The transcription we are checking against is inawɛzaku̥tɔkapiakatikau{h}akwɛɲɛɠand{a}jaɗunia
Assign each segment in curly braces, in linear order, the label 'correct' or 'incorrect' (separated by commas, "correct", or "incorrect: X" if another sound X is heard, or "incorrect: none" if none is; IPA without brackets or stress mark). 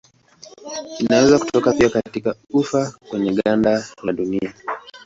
incorrect: f, correct